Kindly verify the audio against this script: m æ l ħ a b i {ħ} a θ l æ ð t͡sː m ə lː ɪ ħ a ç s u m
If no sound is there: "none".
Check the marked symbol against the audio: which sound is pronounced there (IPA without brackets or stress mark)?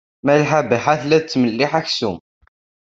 ħ